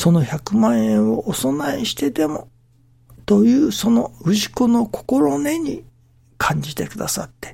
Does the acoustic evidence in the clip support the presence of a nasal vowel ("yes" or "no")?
yes